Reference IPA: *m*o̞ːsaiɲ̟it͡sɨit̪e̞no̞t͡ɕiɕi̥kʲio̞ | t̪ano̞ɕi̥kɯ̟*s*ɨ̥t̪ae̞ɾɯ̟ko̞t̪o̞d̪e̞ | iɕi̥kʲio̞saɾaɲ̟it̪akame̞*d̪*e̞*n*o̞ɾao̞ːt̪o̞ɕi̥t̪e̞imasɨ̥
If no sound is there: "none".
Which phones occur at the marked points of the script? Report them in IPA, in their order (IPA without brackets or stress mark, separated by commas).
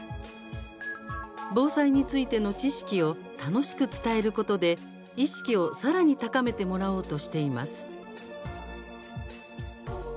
b, t͡s, t̪, m